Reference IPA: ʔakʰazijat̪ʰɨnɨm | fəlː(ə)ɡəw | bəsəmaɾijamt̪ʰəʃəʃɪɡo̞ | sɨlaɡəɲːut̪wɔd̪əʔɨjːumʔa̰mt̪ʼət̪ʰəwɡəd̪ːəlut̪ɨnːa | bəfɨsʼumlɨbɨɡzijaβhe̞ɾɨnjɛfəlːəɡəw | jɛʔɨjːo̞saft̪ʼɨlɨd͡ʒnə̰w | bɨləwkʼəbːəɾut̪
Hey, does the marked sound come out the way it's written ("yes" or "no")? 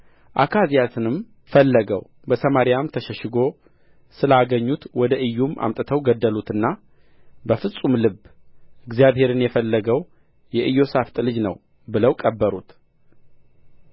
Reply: yes